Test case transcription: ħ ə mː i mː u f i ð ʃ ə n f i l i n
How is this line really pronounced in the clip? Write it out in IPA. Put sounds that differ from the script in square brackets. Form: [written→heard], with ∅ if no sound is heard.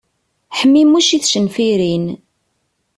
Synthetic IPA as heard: ħ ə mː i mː u [f→ʃ] i [ð→θ] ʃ ə n f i [l→ɾ] i n

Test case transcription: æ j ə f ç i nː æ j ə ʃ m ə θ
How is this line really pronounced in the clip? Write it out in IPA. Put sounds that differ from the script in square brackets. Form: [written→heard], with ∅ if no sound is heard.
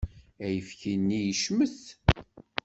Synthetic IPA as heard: æ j ə f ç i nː [æ→i] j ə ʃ m ə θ

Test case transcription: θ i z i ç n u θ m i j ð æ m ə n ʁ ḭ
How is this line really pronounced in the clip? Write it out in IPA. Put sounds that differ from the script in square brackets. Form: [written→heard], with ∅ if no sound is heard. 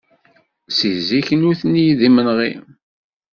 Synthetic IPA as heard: [θ→s] i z i ç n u θ [m→n] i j ð [æ→i] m ə n ʁ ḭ

